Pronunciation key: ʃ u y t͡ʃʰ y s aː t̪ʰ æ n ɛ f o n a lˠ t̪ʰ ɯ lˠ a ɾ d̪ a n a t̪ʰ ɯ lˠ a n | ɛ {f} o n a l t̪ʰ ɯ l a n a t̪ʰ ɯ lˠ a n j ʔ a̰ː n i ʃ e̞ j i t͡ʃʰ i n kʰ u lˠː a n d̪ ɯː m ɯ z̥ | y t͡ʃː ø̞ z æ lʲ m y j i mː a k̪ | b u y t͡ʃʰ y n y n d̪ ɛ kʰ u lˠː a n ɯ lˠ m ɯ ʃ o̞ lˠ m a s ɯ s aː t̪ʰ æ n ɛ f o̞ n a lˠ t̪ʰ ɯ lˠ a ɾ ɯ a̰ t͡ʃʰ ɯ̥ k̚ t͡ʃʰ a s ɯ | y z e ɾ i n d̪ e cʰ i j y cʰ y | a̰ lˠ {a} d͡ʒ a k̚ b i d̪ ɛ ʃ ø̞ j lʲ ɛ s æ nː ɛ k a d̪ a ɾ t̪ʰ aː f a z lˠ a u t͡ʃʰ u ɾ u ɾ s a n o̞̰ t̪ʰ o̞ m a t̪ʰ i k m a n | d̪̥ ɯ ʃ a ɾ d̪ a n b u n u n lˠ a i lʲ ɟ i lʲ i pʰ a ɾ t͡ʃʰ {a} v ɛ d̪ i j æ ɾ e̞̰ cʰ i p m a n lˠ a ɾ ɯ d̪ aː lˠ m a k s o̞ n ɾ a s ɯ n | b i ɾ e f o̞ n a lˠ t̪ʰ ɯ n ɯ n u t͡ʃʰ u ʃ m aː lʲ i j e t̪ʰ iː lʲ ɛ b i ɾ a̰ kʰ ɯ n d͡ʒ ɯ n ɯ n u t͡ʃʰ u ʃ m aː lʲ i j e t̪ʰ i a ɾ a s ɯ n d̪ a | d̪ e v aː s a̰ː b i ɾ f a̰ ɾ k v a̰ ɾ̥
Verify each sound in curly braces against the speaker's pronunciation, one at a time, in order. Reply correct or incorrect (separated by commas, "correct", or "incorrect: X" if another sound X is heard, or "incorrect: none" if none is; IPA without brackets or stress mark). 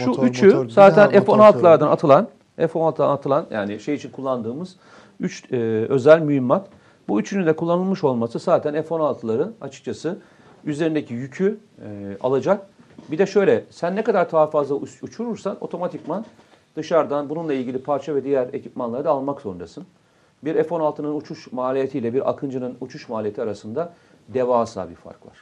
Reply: correct, correct, correct